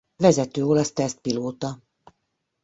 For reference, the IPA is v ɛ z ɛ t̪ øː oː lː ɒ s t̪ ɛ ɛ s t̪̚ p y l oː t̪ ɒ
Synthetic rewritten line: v ɛ z ɛ t̪ øː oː l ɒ s t̪ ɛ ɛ s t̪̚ p i l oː t̪ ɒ